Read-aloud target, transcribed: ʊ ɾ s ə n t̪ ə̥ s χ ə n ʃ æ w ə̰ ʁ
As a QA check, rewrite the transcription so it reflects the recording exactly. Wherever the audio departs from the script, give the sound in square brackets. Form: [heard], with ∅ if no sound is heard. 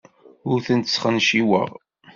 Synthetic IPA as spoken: ʊ ɾ [θ] ə n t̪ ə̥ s χ ə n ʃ [i] w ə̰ ʁ